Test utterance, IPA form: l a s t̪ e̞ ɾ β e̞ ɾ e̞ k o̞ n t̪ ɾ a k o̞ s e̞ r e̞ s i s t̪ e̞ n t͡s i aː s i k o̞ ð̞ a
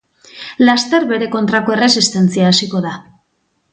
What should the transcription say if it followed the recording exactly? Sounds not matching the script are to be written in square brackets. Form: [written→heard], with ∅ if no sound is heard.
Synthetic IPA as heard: l a s t̪ e̞ ɾ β e̞ ɾ e̞ k o̞ n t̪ ɾ a k o̞ [s→∅] e̞ r e̞ s i s t̪ e̞ n t͡s i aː s i k o̞ ð̞ a